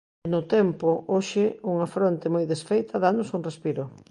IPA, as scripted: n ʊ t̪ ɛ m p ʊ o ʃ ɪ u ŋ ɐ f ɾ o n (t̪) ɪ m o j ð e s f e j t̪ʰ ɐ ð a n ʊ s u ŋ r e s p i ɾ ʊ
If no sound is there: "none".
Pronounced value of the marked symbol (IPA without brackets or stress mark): t̪